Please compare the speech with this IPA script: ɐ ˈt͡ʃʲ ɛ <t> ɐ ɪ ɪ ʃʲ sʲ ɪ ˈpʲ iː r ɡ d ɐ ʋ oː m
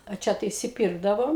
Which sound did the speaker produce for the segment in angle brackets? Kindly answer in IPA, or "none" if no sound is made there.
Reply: t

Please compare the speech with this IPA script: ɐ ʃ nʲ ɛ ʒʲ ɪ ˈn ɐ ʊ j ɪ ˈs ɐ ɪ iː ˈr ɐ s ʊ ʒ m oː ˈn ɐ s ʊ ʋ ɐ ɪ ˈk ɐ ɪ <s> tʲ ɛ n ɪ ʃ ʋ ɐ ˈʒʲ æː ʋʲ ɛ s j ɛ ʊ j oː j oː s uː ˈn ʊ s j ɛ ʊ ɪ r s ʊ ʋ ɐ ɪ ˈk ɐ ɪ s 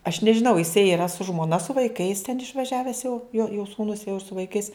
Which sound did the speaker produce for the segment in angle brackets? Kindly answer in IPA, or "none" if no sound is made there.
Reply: s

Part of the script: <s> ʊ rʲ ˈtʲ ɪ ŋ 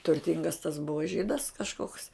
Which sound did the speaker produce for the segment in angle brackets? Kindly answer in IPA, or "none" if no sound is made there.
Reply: t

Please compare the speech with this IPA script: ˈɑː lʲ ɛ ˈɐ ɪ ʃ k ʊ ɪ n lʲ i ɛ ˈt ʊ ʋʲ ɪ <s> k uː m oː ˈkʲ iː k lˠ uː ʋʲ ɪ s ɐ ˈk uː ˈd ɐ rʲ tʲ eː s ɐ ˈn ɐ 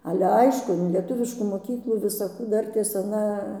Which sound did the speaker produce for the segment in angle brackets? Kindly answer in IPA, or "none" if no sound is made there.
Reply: ʃ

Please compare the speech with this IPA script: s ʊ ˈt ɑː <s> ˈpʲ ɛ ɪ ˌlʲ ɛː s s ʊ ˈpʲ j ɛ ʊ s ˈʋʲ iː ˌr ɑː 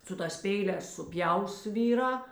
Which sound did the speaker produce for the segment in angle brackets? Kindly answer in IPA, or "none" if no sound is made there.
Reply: s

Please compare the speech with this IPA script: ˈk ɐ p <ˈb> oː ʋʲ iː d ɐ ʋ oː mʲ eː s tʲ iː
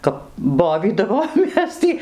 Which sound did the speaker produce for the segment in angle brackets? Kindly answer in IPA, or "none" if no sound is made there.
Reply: b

